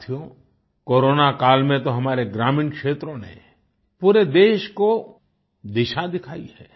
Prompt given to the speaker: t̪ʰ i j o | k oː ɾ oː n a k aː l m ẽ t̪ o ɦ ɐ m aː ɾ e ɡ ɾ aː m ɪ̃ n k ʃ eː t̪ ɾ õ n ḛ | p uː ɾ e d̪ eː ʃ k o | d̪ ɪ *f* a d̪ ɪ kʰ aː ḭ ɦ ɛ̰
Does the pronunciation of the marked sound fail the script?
yes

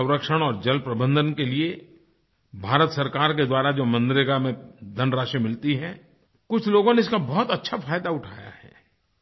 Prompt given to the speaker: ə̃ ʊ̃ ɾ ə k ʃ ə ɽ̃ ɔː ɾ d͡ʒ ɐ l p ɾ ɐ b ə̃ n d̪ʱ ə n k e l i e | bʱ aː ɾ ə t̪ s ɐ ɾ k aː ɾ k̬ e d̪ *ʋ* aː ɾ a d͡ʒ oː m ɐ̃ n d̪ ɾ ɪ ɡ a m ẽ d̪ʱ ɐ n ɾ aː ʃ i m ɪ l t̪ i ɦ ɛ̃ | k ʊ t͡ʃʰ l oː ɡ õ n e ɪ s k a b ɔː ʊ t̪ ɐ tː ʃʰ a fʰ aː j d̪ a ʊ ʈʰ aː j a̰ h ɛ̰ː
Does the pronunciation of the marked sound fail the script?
yes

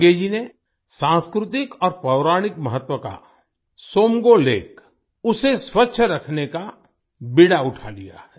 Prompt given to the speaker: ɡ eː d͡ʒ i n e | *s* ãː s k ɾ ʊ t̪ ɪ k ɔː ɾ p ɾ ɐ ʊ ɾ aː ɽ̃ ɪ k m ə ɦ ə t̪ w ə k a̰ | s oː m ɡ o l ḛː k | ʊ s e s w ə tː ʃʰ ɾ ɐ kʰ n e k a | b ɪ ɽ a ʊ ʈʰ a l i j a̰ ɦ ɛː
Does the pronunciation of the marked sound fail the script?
no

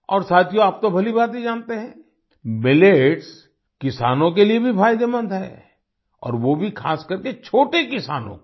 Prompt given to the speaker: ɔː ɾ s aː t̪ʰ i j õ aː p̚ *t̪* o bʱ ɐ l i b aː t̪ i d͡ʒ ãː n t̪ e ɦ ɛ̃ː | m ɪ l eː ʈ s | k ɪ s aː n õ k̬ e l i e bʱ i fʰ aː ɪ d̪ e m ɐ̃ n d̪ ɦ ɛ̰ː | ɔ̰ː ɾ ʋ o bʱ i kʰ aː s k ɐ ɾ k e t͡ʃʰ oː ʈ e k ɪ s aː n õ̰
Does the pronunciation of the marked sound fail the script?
no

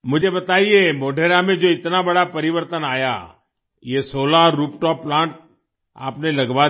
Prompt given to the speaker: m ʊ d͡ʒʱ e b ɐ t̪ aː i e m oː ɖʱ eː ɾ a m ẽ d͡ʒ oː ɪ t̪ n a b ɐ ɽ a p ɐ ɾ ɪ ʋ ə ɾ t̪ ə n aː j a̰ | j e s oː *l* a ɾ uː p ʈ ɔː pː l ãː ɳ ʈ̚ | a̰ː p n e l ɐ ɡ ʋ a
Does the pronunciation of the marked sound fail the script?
no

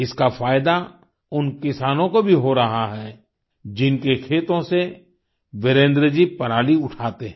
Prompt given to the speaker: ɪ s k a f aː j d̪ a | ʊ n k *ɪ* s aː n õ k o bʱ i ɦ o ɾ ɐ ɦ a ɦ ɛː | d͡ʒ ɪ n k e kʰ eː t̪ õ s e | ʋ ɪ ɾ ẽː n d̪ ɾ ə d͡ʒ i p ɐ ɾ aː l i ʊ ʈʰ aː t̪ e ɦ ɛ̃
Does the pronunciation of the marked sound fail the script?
no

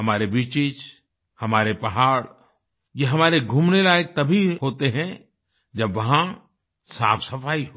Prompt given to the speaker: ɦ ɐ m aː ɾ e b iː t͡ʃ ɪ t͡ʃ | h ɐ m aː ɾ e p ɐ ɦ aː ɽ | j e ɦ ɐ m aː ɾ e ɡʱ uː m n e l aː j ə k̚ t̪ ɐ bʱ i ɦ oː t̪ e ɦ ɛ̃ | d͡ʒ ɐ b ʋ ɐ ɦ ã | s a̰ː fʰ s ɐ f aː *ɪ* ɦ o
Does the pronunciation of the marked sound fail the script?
yes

